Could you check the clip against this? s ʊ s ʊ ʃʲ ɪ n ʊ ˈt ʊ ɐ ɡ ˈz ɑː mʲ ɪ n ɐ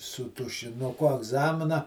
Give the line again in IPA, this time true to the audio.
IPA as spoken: s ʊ t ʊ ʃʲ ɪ n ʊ ˈk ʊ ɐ ɡ ˈz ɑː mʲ ɪ n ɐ

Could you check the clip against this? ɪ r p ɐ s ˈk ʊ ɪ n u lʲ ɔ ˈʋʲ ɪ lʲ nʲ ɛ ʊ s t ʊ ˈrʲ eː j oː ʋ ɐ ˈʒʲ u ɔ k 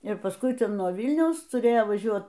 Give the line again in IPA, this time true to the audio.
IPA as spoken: ɪ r p ɐ s ˈk ʊ ɪ n u ɔ ˈʋʲ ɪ lʲ nʲ ɛ ʊ s t ʊ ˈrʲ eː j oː ʋ ɐ ˈʒʲ u ɔ t

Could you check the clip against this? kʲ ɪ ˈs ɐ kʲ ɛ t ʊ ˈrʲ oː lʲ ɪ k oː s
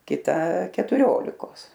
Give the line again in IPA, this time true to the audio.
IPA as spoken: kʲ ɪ ˈt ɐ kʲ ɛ t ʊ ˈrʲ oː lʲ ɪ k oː s

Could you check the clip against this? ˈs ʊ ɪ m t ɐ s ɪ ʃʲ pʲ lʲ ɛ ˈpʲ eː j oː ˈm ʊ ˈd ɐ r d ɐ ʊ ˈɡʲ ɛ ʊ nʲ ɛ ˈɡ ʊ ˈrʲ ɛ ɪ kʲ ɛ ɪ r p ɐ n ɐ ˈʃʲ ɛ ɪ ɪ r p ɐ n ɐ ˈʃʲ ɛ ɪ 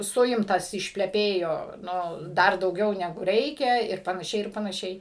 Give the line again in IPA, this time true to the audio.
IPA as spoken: ˈs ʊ ɪ m t ɐ s ɪ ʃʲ pʲ lʲ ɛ ˈpʲ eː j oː ˈn ʊ ˈd ɐ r d ɐ ʊ ˈɡʲ ɛ ʊ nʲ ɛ ˈɡ ʊ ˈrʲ ɛ ɪ kʲ ɛ ɪ r p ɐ n ɐ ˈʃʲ ɛ ɪ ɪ r p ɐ n ɐ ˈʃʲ ɛ ɪ

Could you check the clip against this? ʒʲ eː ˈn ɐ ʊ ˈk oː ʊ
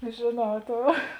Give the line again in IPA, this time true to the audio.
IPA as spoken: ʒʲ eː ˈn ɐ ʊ ˈt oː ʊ

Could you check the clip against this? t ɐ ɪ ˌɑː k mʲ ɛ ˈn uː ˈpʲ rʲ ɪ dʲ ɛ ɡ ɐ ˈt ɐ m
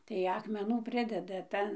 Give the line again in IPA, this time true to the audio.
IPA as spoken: t ɐ ɪ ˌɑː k mʲ ɛ ˈn uː ˈpʲ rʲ ɪ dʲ ɛ d ɐ ˈt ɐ n

